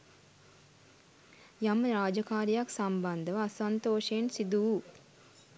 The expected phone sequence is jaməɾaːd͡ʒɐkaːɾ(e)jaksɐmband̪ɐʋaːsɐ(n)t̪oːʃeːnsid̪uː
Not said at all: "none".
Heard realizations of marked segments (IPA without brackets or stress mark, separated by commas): i, n